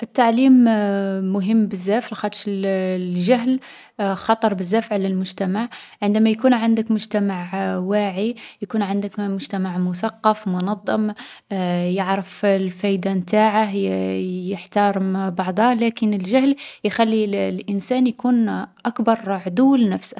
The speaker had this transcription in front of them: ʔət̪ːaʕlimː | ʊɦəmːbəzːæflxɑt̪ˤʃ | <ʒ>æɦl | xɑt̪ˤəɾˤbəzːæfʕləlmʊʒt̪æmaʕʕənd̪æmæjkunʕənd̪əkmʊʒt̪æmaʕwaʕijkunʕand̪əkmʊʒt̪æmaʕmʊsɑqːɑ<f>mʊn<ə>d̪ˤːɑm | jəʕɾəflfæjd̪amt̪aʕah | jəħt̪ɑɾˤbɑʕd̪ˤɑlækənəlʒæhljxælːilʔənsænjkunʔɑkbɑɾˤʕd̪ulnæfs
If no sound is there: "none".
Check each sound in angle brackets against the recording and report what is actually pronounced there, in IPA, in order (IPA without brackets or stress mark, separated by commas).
ʒ, f, ɑ